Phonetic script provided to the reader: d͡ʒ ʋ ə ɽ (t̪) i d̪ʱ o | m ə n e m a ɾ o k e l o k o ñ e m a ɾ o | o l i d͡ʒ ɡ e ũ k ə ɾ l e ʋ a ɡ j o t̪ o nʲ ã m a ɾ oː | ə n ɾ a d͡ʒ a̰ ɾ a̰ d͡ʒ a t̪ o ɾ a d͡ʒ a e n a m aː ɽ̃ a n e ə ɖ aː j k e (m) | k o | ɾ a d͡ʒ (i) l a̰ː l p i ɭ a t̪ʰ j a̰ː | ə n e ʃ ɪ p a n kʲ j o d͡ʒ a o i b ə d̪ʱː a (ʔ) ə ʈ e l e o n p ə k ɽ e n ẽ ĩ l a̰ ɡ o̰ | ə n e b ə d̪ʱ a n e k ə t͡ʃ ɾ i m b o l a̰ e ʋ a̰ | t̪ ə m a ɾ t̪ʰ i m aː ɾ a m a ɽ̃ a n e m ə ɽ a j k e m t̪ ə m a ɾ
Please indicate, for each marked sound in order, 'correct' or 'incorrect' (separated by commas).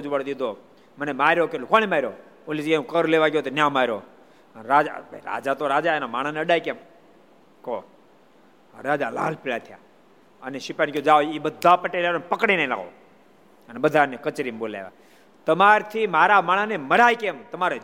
incorrect, correct, incorrect, incorrect